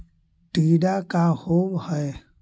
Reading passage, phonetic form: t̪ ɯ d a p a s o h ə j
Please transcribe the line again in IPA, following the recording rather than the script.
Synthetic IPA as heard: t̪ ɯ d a k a h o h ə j